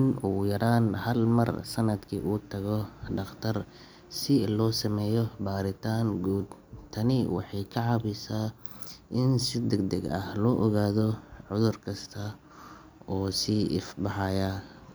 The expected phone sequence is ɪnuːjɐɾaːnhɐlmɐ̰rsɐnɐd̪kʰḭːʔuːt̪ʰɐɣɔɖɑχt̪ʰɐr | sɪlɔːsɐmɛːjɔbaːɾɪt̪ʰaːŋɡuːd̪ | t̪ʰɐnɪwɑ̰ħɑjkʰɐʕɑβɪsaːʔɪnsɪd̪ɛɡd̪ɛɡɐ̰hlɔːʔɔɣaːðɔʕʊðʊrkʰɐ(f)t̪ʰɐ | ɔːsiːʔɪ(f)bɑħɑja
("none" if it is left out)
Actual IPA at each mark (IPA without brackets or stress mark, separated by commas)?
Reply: s, f